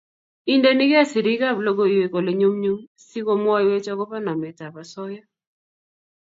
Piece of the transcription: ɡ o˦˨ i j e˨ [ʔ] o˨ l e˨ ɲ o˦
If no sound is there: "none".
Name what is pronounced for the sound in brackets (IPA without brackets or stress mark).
k